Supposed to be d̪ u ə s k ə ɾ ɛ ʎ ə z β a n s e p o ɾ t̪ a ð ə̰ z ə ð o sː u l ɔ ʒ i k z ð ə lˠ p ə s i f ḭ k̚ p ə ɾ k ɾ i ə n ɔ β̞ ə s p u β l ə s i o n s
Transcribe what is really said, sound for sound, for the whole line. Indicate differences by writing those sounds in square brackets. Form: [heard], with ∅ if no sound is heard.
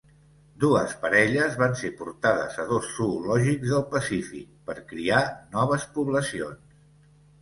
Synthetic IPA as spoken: d̪ u ə s [p] ə ɾ ɛ ʎ ə z β a n s e p [u] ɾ t̪ a ð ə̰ z ə ð o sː u l ɔ ʒ i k z ð ə lˠ p ə s i f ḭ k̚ p ə ɾ k ɾ i [a] n ɔ β̞ ə s p u β l ə s i o n s